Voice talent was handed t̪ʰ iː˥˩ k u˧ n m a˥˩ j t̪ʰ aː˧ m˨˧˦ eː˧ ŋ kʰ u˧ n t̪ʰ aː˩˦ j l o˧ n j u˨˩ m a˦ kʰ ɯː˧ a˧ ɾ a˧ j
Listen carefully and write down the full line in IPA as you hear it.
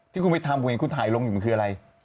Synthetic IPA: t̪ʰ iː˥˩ k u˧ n m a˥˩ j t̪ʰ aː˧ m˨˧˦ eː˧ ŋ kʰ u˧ n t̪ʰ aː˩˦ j l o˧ ŋ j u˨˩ m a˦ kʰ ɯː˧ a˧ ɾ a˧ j